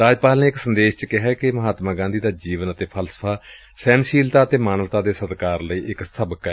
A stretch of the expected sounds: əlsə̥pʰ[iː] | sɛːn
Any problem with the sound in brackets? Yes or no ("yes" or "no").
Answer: yes